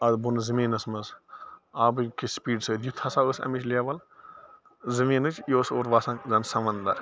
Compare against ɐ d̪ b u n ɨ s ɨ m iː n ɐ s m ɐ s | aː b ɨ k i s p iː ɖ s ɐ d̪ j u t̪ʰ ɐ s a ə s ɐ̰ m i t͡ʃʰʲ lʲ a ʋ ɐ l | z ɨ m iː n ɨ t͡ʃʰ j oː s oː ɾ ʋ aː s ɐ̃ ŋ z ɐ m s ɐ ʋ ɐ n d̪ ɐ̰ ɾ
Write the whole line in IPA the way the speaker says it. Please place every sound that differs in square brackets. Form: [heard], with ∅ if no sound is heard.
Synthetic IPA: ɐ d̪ b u n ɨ [z] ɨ m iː n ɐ s m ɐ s | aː b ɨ k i s p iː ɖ s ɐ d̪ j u t̪ʰ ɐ s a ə s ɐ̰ m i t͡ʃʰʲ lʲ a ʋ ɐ l | z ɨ m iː n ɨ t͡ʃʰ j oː s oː ɾ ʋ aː s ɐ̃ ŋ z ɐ [n] s ɐ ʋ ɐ n d̪ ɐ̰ ɾ

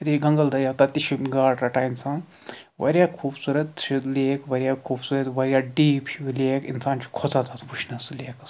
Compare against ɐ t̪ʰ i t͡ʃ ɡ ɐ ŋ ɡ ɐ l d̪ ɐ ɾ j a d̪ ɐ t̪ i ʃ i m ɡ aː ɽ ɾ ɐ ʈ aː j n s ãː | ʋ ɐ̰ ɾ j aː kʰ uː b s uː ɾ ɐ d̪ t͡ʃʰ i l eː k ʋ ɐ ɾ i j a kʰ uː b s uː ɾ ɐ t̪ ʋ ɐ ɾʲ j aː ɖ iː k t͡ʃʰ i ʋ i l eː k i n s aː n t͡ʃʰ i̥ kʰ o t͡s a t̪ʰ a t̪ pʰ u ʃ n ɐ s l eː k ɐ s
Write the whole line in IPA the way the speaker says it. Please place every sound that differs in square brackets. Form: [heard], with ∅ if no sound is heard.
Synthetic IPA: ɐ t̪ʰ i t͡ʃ ɡ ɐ ŋ ɡ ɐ l d̪ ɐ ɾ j a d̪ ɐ t̪ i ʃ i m ɡ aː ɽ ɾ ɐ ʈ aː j n s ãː | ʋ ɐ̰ ɾ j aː kʰ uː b s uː ɾ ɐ [t̪] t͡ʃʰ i l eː k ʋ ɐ ɾ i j a kʰ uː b s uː ɾ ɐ t̪ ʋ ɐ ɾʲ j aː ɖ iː [p] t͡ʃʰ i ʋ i l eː k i n s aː n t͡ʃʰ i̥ kʰ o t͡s a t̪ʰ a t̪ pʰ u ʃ n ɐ s l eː k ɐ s

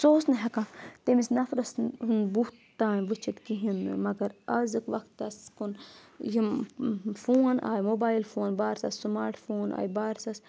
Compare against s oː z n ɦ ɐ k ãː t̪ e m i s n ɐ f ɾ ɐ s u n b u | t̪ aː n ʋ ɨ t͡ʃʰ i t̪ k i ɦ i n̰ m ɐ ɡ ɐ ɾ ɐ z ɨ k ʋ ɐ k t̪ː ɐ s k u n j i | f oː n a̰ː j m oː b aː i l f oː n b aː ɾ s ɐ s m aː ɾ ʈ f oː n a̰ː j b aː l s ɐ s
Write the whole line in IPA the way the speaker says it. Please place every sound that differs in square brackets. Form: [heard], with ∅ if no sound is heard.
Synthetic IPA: s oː [s] n ɦ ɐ k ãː t̪ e m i s n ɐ f ɾ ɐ s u n b u | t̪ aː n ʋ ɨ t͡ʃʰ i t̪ k i ɦ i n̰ m ɐ ɡ ɐ ɾ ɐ z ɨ k ʋ ɐ k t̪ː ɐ s k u n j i | f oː n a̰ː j m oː b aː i l f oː n b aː ɾ s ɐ s m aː ɾ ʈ f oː n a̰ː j b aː [ɾ] s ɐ s

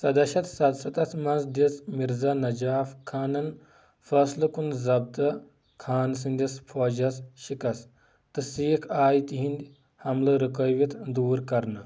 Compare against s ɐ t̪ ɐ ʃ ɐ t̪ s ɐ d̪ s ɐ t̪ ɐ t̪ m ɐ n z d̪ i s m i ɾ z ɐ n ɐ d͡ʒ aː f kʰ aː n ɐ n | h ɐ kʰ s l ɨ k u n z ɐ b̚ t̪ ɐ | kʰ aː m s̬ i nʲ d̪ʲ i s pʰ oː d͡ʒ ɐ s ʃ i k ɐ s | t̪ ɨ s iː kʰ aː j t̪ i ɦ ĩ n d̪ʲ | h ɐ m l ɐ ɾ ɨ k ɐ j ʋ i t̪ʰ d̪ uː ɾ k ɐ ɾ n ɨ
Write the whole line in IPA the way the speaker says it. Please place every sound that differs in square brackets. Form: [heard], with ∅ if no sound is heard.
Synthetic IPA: s ɐ [d̪] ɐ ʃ ɐ t̪ s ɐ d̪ s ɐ t̪ ɐ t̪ m ɐ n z d̪ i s m i ɾ z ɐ n ɐ d͡ʒ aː f kʰ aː n ɐ n | [f] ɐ [∅] s l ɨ k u n z ɐ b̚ t̪ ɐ | kʰ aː [n] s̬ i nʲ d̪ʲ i s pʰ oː d͡ʒ ɐ s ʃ i k ɐ s | t̪ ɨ s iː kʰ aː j t̪ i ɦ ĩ n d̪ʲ | h ɐ m l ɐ ɾ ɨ k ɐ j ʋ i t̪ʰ d̪ uː ɾ k ɐ ɾ n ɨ

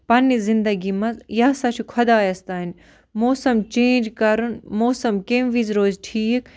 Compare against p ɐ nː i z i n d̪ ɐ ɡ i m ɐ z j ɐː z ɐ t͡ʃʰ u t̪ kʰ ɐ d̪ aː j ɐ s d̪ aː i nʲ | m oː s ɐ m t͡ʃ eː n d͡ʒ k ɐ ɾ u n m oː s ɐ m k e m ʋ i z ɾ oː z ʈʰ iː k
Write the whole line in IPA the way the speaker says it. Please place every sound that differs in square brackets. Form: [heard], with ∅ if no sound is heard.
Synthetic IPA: p ɐ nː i z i n d̪ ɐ ɡ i m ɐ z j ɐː [s] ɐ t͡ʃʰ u [∅] kʰ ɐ d̪ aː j ɐ s [t̪] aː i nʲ | m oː s ɐ m t͡ʃ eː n d͡ʒ k ɐ ɾ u n m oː s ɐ m k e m ʋ i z ɾ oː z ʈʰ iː k

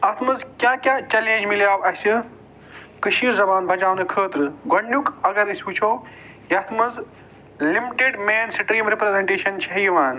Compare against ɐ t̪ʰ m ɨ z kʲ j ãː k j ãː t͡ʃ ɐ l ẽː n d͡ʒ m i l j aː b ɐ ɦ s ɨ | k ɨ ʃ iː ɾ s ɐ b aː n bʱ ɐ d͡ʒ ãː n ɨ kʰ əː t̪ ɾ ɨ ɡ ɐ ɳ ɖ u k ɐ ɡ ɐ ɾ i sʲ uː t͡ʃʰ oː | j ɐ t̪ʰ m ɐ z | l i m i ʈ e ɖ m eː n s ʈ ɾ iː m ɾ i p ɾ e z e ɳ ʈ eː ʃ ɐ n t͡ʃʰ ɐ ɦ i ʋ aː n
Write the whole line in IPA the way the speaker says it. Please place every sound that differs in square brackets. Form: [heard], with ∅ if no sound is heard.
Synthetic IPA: ɐ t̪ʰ m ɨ z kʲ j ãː k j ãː t͡ʃ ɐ l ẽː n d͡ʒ m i l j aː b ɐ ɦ s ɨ | k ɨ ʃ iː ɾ [z] ɐ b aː n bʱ ɐ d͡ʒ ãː n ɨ kʰ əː t̪ ɾ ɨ ɡ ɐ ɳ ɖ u k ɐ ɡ ɐ ɾ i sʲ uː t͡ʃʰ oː | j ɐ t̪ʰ m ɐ z | l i m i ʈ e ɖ m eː n s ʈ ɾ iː m ɾ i p ɾ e z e ɳ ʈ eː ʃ ɐ n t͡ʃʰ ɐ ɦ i ʋ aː n

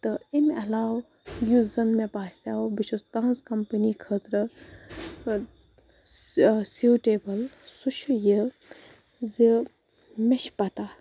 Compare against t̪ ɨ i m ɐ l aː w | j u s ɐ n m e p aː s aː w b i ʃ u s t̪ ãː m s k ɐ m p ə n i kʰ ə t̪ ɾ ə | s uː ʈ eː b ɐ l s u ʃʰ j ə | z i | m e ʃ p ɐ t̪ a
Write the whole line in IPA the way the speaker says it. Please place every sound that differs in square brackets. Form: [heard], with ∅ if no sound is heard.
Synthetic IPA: t̪ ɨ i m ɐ l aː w | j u [z] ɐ n m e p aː s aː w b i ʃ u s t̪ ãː [n] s k ɐ m p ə n i kʰ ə t̪ ɾ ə | s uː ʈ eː b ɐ l s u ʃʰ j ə | z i | m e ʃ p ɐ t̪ a

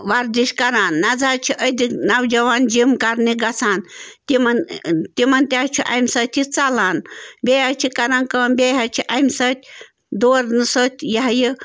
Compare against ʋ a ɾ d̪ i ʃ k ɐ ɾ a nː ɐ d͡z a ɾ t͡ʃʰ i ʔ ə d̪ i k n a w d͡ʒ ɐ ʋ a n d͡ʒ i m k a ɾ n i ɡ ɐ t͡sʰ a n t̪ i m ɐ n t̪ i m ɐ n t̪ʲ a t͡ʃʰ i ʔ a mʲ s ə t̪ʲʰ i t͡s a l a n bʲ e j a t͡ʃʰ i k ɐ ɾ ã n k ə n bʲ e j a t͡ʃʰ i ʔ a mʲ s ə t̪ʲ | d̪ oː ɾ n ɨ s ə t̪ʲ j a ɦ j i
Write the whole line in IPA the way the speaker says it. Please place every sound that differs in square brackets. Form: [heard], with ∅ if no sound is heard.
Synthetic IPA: ʋ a ɾ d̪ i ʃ k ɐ ɾ a nː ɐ d͡z a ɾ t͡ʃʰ i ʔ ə d̪ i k n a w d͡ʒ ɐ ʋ a n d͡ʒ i m k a ɾ n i ɡ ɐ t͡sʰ a n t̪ i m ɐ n t̪ i m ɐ n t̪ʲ a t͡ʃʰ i ʔ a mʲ s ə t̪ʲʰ i t͡s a l a n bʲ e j a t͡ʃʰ i k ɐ ɾ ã n k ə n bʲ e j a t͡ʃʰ i ʔ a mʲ s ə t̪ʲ | d̪ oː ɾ n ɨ s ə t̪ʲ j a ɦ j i

